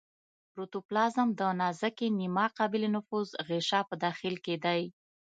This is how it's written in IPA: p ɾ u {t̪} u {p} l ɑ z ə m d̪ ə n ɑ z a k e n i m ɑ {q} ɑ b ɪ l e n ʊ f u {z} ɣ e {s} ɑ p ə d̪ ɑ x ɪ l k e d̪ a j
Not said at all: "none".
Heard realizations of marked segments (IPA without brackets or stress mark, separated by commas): t̪, p, q, z, ʃ